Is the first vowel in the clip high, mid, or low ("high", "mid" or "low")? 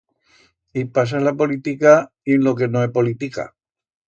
high